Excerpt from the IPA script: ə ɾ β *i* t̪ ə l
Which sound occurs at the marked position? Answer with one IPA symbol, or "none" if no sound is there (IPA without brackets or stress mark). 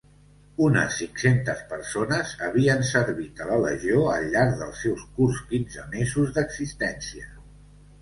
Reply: i